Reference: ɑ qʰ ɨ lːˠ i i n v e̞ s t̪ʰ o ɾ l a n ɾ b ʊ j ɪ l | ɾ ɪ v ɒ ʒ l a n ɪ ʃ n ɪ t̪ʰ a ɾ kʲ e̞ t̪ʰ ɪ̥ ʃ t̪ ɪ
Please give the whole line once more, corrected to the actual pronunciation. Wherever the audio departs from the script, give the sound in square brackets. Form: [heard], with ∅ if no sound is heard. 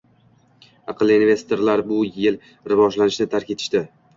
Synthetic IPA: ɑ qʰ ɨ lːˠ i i n v e̞ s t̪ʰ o ɾ l a [∅] ɾ b ʊ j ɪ l | ɾ ɪ v ɒ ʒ l a n ɪ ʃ n ɪ t̪ʰ a ɾ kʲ e̞ t̪ʰ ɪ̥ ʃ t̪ ɪ